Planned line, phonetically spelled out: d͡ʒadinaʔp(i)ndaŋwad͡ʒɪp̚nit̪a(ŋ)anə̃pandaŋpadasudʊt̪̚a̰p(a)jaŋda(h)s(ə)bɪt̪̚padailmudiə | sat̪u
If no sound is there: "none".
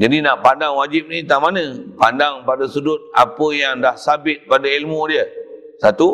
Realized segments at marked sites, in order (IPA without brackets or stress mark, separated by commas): a, m, ə, h, a